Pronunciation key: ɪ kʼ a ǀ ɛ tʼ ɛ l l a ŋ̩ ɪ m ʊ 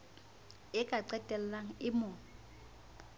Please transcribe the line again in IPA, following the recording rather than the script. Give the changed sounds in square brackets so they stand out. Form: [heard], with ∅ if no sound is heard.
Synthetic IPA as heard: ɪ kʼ a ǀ ɛ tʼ ɛ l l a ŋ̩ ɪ m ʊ